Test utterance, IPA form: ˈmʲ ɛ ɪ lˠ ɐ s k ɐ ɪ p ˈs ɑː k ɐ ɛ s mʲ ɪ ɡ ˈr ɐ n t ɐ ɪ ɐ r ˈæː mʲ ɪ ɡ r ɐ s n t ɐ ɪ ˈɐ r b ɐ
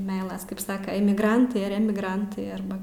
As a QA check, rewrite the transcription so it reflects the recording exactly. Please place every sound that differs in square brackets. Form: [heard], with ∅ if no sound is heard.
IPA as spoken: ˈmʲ ɛ ɪ lˠ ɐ s k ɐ ɪ p ˈs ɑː k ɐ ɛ [∅] mʲ ɪ ɡ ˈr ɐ n t ɐ ɪ ɐ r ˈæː mʲ ɪ ɡ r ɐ [∅] n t ɐ ɪ ˈɐ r b ɐ